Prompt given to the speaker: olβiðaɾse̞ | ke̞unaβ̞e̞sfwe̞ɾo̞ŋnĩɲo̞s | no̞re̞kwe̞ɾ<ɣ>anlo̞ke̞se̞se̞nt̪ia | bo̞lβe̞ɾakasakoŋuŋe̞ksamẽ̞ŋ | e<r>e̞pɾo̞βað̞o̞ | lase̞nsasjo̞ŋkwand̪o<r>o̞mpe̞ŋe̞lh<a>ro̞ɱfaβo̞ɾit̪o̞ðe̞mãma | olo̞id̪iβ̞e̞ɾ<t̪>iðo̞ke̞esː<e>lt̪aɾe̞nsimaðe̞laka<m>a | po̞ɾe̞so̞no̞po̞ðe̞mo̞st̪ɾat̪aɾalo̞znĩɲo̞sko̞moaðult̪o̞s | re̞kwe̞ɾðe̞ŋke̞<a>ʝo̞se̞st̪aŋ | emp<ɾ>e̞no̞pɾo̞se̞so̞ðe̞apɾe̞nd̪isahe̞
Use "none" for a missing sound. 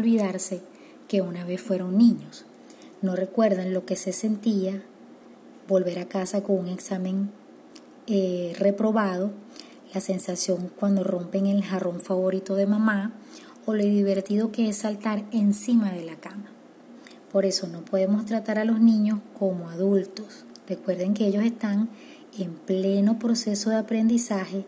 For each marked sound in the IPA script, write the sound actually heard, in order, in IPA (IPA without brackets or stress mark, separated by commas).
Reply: ð, r, r, a, t̪, a, m, e, l